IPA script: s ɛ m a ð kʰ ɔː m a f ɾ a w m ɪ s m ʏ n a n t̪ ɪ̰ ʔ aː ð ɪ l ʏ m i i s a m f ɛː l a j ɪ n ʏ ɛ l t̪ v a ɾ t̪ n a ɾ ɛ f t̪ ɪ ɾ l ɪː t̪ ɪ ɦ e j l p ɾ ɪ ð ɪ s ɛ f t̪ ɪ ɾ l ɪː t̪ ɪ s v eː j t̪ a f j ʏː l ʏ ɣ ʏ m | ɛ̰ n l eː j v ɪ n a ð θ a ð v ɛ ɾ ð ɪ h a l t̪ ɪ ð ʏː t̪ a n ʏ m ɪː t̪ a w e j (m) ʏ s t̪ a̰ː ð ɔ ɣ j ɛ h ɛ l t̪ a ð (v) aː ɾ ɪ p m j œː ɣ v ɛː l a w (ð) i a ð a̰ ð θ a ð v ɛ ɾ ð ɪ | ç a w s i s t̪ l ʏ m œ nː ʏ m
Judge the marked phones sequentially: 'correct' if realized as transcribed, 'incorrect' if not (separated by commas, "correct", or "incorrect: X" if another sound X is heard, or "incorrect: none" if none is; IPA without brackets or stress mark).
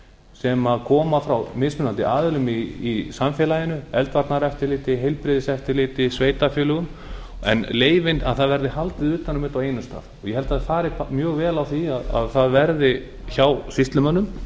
incorrect: n, incorrect: f, incorrect: θ